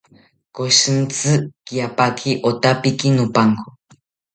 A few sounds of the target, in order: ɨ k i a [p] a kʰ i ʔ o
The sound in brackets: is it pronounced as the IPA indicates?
yes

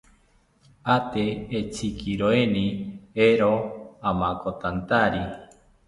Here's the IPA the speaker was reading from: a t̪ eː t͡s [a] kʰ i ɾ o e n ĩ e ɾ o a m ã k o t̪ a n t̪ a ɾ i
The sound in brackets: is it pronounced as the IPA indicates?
no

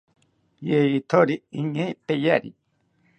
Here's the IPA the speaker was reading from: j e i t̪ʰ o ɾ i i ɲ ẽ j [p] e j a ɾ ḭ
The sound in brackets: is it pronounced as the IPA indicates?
yes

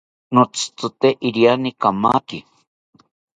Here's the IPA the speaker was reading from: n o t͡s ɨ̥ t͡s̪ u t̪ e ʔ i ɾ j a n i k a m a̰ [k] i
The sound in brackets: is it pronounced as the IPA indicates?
yes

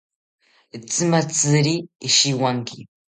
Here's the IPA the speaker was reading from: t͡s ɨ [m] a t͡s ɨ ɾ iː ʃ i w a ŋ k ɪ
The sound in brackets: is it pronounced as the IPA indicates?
yes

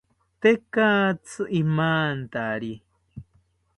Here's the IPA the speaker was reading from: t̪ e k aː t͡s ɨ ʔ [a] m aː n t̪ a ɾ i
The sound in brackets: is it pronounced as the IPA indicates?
no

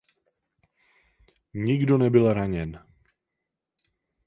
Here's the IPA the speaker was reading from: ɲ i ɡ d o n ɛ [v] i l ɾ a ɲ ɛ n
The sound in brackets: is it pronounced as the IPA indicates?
no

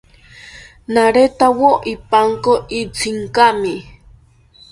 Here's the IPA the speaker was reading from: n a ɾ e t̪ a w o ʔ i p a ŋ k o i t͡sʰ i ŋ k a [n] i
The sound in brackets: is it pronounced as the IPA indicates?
no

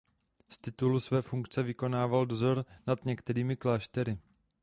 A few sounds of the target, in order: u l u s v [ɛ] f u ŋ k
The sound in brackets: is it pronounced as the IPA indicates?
no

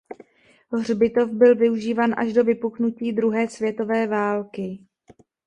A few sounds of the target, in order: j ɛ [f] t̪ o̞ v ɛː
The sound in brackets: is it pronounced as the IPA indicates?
no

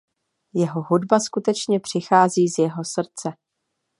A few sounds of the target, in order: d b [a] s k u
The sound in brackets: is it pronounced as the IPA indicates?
yes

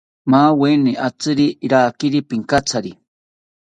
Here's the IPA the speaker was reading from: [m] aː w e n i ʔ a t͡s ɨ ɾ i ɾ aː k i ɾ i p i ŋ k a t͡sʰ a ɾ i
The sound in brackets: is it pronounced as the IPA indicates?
yes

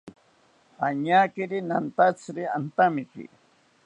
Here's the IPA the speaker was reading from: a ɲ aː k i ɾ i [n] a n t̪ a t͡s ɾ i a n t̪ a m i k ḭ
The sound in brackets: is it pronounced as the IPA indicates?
yes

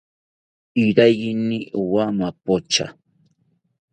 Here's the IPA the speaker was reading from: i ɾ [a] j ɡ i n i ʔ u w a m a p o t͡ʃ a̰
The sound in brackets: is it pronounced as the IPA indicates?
yes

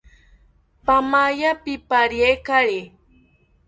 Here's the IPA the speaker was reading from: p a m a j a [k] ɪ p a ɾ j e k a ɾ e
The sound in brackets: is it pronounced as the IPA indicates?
no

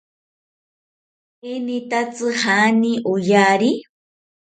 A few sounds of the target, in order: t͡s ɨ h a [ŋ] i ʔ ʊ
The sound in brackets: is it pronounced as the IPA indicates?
no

